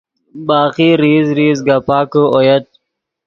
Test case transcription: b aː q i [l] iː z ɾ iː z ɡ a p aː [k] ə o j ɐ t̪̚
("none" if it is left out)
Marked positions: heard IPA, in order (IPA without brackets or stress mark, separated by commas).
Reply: ɾ, k